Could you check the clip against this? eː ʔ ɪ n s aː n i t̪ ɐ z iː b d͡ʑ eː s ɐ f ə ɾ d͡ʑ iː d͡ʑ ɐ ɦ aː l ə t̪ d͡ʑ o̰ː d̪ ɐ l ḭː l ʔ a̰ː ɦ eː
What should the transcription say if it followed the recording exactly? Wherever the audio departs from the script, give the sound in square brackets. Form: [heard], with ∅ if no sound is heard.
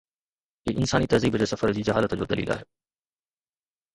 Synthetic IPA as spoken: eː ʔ ɪ n s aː n i t̪ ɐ z iː b d͡ʑ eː s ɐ f ə ɾ d͡ʑ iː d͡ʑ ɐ ɦ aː l ə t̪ d͡ʑ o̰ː d̪ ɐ l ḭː l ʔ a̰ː ɦ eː